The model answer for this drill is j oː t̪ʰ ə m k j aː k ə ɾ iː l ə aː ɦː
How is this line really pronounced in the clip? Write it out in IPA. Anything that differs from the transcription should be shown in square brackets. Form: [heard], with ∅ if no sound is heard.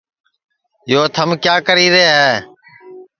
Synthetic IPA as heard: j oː t̪ʰ ə m k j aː k ə ɾ iː [ɾ] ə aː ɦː